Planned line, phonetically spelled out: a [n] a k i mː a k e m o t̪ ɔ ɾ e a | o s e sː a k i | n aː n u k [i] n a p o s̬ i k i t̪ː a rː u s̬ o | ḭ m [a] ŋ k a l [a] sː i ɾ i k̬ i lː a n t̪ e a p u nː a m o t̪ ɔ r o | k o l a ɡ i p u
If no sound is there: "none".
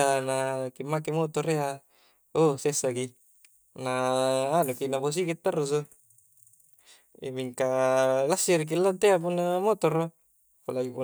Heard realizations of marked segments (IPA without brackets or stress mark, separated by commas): n, i, i, a